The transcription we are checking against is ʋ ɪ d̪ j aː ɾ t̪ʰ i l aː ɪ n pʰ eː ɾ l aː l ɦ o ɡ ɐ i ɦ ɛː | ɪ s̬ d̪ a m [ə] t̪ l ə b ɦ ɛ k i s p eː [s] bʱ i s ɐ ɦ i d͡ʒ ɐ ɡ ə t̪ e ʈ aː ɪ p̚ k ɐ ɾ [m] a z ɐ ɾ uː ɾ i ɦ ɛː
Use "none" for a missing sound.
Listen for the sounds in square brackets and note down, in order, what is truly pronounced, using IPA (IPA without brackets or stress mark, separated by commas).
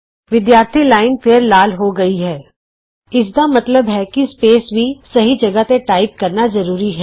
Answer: ɐ, s, n